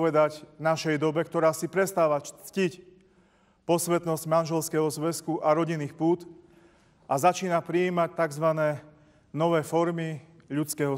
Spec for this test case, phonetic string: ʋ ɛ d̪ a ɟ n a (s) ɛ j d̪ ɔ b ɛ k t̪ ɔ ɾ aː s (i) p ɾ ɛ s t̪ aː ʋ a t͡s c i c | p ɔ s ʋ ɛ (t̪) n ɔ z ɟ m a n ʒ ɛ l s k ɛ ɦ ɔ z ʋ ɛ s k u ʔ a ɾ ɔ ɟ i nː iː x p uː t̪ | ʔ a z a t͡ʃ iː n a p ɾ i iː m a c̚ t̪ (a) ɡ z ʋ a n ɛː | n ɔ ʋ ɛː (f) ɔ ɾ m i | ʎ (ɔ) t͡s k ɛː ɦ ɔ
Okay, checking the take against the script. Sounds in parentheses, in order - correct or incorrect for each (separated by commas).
incorrect, correct, correct, correct, correct, incorrect